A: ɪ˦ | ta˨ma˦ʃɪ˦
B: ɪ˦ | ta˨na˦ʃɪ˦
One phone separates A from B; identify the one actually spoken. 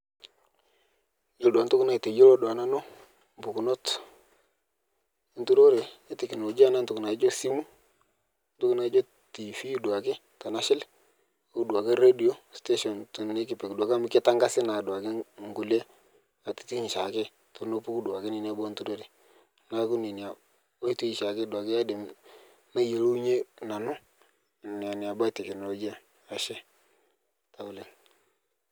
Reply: B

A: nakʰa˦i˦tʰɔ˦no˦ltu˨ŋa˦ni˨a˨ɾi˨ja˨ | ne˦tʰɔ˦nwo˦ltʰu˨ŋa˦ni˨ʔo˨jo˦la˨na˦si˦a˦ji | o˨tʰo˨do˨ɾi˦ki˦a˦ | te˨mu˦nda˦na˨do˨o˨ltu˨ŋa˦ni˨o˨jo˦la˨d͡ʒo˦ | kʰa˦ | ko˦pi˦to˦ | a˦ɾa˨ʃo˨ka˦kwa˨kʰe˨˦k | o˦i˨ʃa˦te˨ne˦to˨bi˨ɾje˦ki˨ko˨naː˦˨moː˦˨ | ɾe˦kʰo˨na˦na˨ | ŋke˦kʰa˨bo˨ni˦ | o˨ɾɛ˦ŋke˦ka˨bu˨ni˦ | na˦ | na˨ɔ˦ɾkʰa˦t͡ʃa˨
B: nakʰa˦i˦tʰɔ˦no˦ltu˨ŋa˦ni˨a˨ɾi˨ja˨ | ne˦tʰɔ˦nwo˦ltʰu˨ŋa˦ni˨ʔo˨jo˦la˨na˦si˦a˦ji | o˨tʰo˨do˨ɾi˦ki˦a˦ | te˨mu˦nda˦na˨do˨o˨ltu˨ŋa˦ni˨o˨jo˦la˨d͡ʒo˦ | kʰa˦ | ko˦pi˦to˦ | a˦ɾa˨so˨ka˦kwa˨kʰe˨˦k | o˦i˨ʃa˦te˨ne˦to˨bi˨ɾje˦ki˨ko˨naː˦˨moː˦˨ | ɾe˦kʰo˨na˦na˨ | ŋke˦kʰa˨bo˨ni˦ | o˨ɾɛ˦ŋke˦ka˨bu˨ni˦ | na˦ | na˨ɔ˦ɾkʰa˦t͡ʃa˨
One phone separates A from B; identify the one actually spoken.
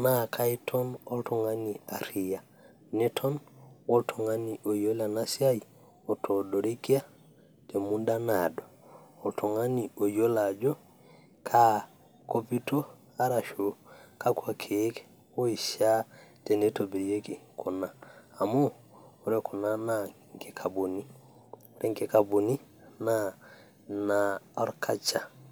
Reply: A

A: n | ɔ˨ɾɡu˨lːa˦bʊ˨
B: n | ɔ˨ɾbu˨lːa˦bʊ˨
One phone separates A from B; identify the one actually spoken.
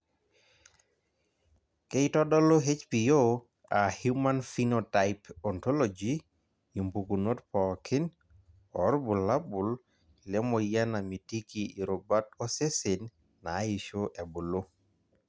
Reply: B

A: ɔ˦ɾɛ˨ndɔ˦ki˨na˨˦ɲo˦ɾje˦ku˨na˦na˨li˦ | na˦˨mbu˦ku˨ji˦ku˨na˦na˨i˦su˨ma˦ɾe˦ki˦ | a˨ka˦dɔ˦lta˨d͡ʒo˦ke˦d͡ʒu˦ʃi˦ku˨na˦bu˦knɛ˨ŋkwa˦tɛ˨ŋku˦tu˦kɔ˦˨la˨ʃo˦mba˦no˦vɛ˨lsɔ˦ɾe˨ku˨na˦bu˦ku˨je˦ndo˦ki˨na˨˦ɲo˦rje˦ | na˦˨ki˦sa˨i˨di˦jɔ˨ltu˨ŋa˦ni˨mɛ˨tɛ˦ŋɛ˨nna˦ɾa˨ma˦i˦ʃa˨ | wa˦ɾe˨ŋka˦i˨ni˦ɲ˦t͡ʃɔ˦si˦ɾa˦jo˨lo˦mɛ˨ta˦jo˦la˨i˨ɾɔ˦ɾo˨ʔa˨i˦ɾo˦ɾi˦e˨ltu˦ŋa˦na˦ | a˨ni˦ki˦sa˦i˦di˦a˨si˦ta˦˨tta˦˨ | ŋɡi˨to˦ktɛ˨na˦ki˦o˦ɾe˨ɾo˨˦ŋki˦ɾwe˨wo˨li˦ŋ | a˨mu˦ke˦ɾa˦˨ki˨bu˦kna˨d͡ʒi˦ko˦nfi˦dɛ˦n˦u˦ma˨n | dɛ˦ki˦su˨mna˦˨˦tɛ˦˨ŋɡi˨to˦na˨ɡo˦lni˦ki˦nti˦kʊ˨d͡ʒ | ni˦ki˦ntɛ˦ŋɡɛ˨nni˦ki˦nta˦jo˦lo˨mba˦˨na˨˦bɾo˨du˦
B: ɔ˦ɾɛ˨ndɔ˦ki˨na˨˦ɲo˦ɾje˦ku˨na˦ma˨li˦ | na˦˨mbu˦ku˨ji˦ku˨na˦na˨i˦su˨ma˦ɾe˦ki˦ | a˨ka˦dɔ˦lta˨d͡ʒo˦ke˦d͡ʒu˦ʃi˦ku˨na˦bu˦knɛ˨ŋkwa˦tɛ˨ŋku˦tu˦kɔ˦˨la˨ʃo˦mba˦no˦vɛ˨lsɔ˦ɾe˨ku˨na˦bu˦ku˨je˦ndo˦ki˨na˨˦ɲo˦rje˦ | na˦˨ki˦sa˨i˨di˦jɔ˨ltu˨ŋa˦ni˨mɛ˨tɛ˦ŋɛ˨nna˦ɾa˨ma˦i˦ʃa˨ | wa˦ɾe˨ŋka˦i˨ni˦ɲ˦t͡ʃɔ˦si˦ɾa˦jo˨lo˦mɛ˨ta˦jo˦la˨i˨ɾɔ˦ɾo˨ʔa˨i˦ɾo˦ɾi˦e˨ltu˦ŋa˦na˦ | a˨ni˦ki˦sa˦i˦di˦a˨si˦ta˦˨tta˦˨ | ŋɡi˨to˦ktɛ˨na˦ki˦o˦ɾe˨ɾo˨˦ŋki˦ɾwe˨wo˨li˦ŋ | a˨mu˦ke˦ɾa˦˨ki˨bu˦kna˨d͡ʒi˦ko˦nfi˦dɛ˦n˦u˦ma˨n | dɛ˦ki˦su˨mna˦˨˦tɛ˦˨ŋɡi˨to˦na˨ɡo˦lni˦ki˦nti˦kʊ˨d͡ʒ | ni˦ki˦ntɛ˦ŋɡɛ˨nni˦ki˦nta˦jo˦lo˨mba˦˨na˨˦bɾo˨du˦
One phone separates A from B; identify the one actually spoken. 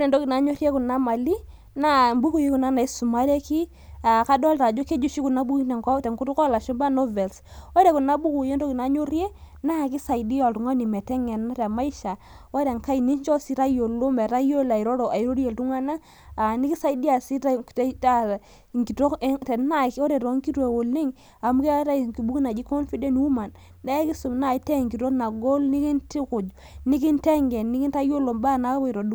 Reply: B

